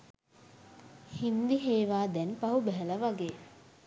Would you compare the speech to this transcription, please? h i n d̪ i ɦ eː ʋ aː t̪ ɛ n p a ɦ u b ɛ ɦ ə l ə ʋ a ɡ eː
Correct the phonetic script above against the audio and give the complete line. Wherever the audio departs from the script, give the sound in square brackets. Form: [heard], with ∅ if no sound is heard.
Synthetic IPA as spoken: h i n d̪ i ɦ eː ʋ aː [d̪] ɛ n p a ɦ u b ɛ ɦ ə l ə ʋ a ɡ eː